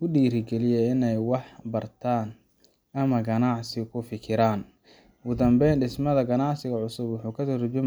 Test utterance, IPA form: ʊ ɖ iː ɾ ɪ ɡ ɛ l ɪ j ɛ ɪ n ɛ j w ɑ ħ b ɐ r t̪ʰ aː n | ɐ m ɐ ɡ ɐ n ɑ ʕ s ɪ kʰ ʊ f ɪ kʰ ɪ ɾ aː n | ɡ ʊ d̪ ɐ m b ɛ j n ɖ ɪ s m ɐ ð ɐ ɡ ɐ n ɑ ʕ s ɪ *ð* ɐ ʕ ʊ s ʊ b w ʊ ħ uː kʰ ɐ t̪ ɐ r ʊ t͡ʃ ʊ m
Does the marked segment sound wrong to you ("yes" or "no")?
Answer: yes